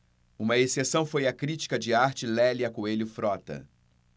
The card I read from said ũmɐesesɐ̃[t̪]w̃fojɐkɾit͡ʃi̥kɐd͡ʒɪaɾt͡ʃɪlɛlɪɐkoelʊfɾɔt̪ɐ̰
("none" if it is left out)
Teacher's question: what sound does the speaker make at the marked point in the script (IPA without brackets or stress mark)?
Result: none